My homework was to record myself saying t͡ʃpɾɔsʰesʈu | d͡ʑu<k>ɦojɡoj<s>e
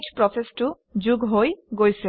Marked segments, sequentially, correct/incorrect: incorrect, correct

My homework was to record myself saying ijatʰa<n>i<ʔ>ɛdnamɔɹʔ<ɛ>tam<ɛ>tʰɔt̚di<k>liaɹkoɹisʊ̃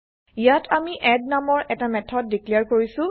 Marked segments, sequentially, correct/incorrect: incorrect, correct, correct, correct, correct

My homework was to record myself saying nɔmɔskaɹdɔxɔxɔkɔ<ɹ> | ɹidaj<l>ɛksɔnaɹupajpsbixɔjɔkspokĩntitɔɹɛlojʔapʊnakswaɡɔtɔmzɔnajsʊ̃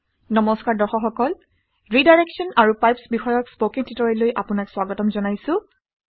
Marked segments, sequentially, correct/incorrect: incorrect, incorrect

